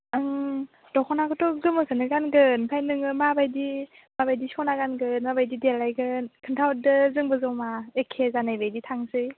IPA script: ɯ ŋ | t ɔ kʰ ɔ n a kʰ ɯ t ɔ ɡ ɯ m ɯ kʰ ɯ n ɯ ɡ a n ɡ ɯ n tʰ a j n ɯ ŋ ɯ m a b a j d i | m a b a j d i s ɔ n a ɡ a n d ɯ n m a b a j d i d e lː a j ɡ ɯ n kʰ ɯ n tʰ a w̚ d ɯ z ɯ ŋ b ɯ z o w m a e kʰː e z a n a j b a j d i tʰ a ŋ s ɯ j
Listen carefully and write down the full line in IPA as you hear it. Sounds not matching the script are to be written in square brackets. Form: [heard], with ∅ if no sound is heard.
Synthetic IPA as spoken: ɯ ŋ | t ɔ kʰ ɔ n a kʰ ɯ t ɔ ɡ ɯ m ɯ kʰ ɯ n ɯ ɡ a n ɡ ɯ n [pʰ] a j n ɯ ŋ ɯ m a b a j d i | m a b a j d i s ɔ n a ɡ a n [ɡ] ɯ n m a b a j d i d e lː a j ɡ ɯ n kʰ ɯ n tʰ a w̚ d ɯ z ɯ ŋ b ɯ z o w m a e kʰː e z a n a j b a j d i tʰ a ŋ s ɯ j